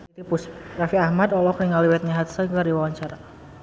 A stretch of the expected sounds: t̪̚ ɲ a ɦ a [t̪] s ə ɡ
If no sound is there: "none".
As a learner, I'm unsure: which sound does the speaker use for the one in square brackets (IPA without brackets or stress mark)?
t̪